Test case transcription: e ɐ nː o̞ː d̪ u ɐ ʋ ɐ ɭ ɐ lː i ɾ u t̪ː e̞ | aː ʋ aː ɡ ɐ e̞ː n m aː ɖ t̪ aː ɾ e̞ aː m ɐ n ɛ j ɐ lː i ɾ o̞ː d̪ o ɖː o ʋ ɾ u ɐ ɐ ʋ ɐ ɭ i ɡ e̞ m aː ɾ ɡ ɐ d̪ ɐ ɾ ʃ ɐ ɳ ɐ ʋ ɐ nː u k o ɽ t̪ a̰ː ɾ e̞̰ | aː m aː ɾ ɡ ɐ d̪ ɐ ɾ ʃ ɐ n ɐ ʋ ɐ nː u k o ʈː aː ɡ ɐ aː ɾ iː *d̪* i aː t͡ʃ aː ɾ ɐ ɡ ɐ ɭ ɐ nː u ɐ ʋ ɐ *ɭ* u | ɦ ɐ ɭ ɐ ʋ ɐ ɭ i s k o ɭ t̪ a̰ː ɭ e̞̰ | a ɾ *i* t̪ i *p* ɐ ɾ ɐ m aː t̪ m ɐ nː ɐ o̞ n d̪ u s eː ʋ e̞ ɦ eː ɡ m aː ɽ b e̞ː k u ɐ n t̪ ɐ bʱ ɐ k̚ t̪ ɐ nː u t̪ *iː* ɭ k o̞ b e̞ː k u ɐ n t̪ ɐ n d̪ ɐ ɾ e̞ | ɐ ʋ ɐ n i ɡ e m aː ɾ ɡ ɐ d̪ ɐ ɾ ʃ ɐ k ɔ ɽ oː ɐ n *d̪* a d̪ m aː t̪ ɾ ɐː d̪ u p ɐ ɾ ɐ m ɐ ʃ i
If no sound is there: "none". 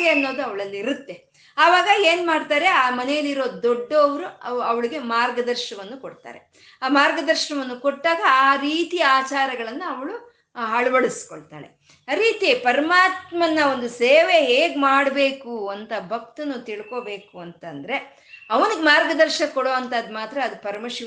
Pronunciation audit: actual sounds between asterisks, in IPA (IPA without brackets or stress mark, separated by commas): t̪, ɭ, iː, p, i, t̪